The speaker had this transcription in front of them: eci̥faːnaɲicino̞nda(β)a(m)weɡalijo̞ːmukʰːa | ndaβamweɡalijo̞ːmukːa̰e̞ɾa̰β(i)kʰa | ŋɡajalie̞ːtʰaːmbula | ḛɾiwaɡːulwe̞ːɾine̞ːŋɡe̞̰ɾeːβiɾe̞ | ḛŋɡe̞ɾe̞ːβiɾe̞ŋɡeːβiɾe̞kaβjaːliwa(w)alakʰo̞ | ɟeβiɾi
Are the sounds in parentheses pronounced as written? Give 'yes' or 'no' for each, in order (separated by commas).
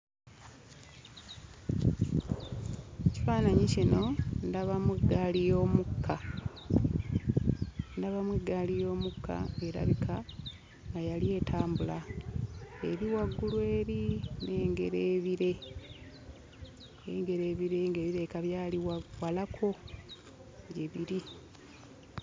yes, yes, yes, yes